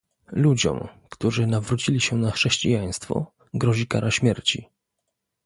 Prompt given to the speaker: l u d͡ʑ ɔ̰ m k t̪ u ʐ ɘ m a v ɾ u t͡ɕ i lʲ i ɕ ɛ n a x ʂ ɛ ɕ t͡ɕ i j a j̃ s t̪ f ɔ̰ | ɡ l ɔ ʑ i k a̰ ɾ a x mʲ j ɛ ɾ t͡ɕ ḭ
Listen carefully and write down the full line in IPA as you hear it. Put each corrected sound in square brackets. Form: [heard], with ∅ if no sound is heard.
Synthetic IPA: l u d͡ʑ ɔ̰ m k t̪ u ʐ ɘ [n] a v ɾ u t͡ɕ i lʲ i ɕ ɛ n a x ʂ ɛ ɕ t͡ɕ i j a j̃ s t̪ f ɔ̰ | ɡ [ɾ] ɔ ʑ i k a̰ ɾ a [ɕ] mʲ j ɛ ɾ t͡ɕ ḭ

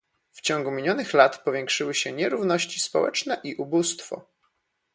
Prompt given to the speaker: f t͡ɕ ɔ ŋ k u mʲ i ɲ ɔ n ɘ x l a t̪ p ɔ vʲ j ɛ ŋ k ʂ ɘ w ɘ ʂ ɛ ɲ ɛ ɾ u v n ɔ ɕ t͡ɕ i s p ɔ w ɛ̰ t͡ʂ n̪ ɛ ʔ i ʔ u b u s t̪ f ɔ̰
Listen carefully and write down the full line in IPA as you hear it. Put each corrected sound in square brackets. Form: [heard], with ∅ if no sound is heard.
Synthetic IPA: f t͡ɕ ɔ ŋ [ɡ] u mʲ i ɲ ɔ n ɘ x l a t̪ p ɔ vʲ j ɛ ŋ k ʂ ɘ w ɘ [ɕ] ɛ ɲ ɛ ɾ u v n ɔ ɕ t͡ɕ i s p ɔ w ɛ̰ t͡ʂ n̪ ɛ ʔ i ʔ u b u s t̪ f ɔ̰

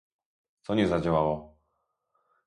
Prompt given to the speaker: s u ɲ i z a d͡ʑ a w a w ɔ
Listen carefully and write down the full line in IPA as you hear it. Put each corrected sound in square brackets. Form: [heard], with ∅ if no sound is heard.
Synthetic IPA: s [ɔ] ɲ [ɛ] z a d͡ʑ a w a w ɔ

